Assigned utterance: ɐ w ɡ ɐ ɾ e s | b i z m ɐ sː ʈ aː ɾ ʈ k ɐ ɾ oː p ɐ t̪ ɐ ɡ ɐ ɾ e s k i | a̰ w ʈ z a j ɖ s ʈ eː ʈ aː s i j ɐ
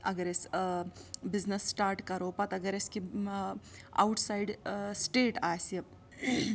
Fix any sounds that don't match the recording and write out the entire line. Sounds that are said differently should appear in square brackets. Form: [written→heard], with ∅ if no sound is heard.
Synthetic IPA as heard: ɐ [w→∅] ɡ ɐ ɾ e s | b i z [m→n] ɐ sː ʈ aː ɾ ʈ k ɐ ɾ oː p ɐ t̪ ɐ ɡ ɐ ɾ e s k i | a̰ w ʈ [z→s] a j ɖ s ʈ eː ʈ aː s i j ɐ

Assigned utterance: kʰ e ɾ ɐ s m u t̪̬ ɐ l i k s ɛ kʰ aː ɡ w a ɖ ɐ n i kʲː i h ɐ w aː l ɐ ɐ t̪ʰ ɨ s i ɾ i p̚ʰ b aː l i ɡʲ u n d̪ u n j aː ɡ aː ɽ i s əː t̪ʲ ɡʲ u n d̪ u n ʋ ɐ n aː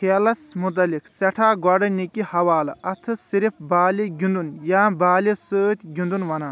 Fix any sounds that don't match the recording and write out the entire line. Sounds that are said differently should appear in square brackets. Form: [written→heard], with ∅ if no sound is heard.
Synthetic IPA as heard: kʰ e [ɾ→l] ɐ s m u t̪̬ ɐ l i k s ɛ [kʰ→ʈʰ] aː ɡ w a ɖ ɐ n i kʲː i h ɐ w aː l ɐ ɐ t̪ʰ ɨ s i ɾ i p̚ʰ b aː l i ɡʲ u n d̪ u n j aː [ɡ→b] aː [ɽ→l] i s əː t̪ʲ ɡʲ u n d̪ u n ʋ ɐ n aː

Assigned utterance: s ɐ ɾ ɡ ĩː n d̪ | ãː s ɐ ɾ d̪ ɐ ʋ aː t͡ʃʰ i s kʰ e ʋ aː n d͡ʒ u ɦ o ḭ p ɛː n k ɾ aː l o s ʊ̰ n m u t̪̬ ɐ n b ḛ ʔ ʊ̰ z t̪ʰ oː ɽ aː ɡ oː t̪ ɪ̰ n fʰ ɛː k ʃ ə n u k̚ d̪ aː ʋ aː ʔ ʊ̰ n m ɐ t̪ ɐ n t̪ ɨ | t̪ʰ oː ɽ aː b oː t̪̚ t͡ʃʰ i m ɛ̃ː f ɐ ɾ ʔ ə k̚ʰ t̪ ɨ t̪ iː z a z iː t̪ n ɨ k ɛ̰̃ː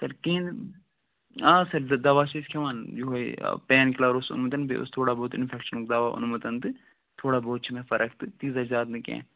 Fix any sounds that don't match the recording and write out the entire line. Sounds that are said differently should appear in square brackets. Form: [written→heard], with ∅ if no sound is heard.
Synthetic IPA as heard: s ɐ ɾ [ɡ→k] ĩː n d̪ | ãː s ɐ ɾ d̪ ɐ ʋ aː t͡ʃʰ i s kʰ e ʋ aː n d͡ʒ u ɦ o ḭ p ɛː n k [ɾ→l] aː [l→ɾ] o s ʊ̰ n m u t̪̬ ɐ n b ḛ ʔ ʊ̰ [z→s] t̪ʰ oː ɽ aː [ɡ→b] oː t̪ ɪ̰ n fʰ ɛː k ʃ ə n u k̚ d̪ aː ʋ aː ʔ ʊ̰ n m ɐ t̪ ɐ n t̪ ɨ | t̪ʰ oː ɽ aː b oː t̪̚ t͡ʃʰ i m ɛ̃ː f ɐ ɾ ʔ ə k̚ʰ t̪ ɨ t̪ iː z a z [iː→aː] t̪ n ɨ k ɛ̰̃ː

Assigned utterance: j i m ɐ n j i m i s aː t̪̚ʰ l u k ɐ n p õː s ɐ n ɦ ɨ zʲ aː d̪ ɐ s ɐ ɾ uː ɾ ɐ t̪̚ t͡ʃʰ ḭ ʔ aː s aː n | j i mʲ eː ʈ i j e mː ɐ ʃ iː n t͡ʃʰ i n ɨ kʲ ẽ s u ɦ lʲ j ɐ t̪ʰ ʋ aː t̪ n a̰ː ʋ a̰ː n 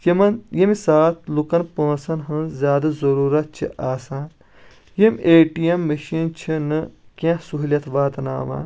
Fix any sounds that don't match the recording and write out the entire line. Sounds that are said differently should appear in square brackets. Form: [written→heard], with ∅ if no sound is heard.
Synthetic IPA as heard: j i m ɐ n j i m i s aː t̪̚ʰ l u k ɐ n p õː s ɐ n ɦ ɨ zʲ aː d̪ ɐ [s→z] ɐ ɾ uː ɾ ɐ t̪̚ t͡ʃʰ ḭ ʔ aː s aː n | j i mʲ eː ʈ i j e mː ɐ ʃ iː n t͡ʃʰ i n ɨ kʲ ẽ s u ɦ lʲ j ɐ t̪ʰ ʋ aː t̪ n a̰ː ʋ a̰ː n

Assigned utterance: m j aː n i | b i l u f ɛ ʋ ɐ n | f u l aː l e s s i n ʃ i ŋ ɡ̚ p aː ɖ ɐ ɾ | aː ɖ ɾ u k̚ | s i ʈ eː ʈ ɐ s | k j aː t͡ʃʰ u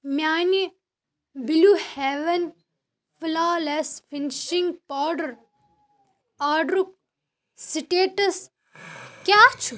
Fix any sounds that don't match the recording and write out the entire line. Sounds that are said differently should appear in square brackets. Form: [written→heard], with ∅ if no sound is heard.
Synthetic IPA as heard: m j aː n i | b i l u [f→h] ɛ ʋ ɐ n | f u l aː l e s [s→f] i n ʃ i ŋ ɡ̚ p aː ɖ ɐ ɾ | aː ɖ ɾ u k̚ | s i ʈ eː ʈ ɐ s | k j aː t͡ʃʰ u

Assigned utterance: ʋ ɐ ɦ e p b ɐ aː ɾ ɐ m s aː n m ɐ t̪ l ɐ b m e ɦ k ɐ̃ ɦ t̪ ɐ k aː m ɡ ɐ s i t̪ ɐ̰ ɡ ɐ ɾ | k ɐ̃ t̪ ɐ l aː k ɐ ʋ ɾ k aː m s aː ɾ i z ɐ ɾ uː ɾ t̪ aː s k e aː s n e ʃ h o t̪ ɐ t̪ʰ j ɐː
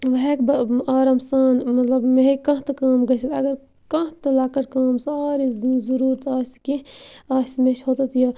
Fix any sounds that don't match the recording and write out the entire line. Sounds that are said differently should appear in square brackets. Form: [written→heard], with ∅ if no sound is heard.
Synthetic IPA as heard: ʋ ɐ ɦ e [p→k] b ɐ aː ɾ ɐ m s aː n m ɐ t̪ l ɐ b m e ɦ k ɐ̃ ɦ t̪ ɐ k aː m ɡ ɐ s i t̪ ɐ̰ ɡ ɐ ɾ | k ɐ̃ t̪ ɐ l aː k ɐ [ʋ→∅] ɾ k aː m s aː ɾ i z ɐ ɾ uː ɾ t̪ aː s k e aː s [n→m] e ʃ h o t̪ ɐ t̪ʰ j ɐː

